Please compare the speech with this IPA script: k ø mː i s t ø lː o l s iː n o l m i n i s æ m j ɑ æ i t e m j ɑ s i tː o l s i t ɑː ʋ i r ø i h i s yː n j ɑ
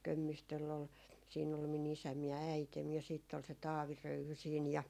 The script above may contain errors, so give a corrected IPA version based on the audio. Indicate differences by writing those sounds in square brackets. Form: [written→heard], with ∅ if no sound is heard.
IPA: k ø mː i s t ø lː o l s iː n o l m i n i s æ m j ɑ æ i t e m j ɑ s [i→iː] tː o l s [i→e] t ɑː ʋ i r ø [i→y] h [i→y] s [yː→iː] n j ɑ

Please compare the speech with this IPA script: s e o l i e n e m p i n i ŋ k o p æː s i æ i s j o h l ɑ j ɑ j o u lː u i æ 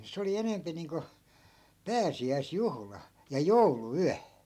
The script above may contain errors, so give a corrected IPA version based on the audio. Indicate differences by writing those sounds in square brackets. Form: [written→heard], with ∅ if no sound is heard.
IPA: s e o l i e n e m p i n [i→iː] ŋ k o p æː s i æ i s j [o→u] h l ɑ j ɑ j o u [lː→l] u [i→y] æ

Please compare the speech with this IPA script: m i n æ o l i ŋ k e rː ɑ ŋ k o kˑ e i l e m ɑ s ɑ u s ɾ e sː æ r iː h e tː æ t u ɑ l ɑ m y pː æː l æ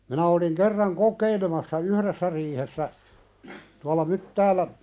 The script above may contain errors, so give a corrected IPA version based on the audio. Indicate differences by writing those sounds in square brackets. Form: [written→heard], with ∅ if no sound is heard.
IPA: m i n æ o l i ŋ k e rː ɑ ŋ k o kˑ e i l e m ɑ [s→sː] ɑ u [s→h] ɾ e sː æ r iː h e [tː→sː] æ t u ɑ l ɑ m y [pː→tː] æː l æ

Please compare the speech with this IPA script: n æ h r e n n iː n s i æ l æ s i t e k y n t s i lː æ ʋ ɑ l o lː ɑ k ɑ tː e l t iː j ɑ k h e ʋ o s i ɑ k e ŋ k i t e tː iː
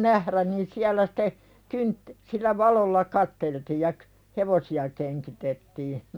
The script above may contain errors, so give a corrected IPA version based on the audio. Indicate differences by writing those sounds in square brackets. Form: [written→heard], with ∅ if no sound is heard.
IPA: n æ h r [e→æ] n n iː n s i æ l æ s i t e k y n t s i lː æ ʋ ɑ l o lː ɑ k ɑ tː e l t iː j ɑ k h e ʋ o s i ɑ k e ŋ k i t e tː iː

